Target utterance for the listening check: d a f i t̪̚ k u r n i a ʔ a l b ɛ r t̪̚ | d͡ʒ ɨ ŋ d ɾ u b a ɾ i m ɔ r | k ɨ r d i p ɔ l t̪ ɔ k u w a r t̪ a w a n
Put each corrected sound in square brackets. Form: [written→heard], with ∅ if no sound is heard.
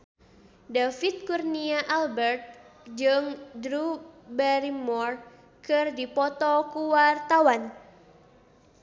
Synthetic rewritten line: d a f i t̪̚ k u r n i a ʔ a l b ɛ r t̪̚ | d͡ʒ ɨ ŋ d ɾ u b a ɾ i m ɔ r | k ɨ r d i p ɔ [l→∅] t̪ ɔ k u w a r t̪ a w a n